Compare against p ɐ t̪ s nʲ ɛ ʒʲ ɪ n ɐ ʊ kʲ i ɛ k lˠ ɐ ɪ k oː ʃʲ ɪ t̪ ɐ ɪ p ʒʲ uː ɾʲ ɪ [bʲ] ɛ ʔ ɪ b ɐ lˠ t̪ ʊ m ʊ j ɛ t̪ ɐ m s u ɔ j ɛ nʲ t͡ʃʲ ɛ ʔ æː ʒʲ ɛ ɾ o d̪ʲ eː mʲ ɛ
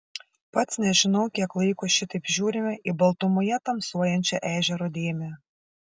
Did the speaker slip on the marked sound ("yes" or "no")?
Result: yes